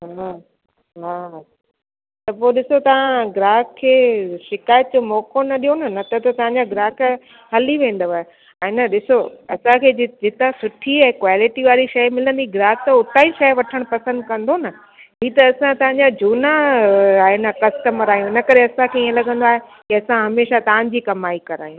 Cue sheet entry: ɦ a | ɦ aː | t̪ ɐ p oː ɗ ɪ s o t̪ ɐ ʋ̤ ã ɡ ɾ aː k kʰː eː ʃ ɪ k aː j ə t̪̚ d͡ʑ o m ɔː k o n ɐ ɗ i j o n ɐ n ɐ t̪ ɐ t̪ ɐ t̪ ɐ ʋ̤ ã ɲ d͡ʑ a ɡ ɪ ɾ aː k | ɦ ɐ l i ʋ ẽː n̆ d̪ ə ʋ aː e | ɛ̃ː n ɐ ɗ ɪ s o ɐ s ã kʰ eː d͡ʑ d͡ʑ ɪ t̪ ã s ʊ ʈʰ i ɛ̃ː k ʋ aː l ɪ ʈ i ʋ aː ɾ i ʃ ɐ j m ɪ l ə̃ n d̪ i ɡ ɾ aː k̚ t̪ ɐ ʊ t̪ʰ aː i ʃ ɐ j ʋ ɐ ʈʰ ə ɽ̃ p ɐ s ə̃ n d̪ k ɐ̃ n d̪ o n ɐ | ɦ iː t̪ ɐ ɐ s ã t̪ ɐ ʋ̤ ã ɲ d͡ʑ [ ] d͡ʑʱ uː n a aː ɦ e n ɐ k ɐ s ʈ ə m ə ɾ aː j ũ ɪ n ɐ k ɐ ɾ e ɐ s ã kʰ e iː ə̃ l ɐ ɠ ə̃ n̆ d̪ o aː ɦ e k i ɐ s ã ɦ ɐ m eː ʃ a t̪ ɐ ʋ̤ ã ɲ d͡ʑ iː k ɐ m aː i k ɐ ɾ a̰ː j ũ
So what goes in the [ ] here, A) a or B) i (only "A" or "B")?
A